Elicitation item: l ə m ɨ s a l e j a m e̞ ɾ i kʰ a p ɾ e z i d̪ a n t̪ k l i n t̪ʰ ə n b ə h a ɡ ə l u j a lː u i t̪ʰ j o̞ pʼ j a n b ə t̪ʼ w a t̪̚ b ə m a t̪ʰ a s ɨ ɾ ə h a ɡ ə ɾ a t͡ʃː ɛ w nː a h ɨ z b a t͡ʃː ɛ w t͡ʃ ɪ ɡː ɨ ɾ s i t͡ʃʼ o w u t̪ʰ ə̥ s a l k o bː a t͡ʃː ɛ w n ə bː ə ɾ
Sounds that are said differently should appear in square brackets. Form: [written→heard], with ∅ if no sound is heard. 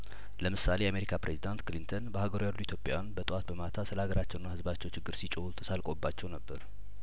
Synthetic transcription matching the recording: l ə m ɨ s a l e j a m e̞ ɾ i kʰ a p ɾ e z i d̪ a n t̪ k l i n t̪ʰ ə n b ə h a ɡ ə [l→ɾ] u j a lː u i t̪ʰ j o̞ pʼ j a n b ə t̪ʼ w a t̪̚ b ə m a t̪ʰ a s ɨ [ɾ→l] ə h a ɡ ə ɾ a t͡ʃː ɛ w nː a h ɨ z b a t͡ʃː ɛ w t͡ʃ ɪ ɡː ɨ ɾ s i t͡ʃʼ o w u t̪ʰ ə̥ s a l [k→kʼ] o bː a t͡ʃː ɛ w n ə bː ə ɾ